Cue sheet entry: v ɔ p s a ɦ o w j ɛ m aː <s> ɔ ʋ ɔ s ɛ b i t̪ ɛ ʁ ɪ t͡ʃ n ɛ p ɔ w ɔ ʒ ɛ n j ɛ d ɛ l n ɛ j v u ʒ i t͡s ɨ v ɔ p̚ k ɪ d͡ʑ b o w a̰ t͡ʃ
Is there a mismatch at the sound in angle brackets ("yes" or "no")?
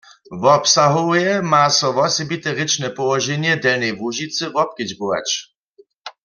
no